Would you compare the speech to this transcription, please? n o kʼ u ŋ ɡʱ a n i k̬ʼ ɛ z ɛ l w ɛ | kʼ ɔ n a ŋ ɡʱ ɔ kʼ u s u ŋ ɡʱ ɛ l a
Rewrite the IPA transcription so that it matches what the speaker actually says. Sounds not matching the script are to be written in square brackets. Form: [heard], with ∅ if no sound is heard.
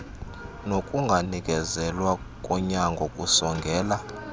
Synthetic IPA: n o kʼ u ŋ ɡʱ a n i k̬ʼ ɛ z ɛ l w [a] | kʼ ɔ [ɲ] a ŋ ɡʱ ɔ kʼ u s [ɔ] ŋ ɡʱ [ɛː] l a